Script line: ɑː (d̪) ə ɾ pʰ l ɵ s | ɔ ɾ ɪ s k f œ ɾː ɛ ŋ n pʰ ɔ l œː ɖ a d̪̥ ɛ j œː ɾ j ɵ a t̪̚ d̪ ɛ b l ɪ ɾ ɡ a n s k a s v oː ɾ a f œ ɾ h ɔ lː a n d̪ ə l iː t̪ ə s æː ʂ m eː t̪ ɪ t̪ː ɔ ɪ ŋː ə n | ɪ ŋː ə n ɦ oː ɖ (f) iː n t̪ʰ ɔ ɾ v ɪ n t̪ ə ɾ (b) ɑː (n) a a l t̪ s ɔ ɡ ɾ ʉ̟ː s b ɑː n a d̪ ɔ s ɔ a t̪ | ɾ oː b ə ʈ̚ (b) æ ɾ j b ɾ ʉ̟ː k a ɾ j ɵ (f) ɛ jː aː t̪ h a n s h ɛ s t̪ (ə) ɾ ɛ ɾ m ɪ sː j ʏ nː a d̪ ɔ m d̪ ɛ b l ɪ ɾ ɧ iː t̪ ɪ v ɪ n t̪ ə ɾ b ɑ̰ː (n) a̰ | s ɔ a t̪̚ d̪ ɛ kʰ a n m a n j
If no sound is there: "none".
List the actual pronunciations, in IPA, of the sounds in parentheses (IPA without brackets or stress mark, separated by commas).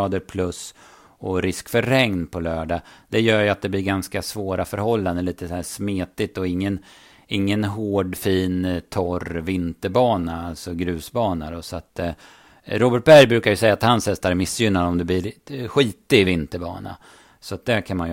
d̪, f, b, n, b, s, a, n